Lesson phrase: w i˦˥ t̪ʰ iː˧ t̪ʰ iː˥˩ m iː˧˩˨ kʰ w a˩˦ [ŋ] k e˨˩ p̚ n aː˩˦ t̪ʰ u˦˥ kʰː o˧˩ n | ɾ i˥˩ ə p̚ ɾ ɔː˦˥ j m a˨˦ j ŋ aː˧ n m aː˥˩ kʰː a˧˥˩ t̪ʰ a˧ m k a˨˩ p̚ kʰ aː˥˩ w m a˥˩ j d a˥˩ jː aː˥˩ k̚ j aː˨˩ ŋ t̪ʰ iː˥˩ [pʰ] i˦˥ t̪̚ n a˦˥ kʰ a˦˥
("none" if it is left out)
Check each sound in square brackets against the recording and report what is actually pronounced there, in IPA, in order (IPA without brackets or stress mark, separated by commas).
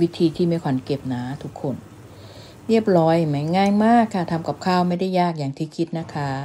n, kʰ